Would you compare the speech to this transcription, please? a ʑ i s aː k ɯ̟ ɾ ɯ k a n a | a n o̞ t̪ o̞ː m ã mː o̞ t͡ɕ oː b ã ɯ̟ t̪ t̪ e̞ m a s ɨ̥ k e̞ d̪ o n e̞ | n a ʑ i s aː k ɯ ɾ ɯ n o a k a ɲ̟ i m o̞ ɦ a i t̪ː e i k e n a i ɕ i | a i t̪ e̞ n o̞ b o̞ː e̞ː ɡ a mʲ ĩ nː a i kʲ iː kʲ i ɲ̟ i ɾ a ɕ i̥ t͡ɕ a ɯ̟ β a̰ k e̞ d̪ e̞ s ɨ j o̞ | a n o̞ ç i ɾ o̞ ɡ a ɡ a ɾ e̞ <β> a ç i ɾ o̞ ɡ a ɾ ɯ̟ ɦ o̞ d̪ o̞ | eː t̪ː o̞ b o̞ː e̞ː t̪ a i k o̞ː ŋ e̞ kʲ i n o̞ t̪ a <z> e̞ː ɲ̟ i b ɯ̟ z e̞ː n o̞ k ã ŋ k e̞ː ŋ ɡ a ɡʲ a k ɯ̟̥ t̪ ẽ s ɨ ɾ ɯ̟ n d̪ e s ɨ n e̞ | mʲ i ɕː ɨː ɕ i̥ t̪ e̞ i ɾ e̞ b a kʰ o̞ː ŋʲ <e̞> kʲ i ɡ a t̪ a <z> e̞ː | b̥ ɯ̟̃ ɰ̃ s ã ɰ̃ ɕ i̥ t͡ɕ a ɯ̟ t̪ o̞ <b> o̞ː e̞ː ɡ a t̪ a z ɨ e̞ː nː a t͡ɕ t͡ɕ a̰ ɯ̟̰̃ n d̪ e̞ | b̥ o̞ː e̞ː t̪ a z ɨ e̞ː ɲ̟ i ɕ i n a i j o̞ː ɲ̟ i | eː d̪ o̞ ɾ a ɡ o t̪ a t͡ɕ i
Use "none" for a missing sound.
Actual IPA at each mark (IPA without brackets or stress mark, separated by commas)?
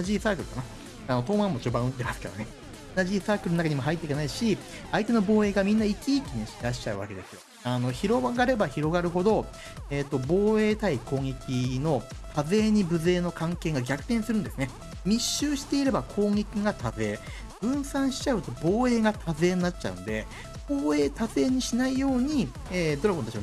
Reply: b, z, e̞, z, b